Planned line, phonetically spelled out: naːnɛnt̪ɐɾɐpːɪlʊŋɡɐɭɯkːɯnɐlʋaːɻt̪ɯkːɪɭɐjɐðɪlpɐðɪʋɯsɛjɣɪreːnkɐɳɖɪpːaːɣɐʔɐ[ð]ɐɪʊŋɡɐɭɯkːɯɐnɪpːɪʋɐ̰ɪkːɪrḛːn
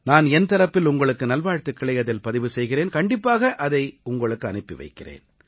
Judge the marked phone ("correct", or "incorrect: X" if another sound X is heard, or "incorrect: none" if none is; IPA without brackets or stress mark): correct